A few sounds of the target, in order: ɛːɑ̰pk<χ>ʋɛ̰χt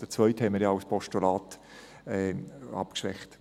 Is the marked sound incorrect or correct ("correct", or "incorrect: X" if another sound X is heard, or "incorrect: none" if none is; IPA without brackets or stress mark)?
incorrect: ʃ